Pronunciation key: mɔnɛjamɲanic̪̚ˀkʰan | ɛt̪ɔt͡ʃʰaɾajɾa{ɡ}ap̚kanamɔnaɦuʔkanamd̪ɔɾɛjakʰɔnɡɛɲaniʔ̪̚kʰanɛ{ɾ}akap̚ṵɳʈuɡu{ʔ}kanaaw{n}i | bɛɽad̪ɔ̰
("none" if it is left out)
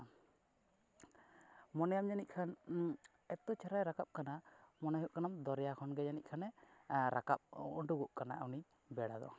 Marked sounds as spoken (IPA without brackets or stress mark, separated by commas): k, ɾ, ʔ, n